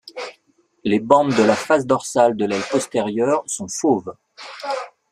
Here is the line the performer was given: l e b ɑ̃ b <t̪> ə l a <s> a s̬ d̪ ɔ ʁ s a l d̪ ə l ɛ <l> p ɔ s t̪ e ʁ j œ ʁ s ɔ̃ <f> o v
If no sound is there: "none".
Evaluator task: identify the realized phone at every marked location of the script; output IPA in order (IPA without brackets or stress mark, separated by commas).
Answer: d̪, f, l, f